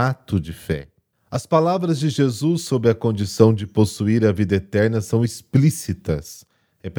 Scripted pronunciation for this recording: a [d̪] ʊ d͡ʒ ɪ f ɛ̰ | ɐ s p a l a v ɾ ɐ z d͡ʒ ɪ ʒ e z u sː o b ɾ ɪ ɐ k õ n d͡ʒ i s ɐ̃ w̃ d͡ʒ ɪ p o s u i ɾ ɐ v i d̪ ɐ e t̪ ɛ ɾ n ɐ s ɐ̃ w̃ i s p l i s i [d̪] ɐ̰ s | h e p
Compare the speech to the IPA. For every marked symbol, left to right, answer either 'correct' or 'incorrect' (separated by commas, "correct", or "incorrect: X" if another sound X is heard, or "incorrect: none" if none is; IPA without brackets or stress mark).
incorrect: t̪, incorrect: t̪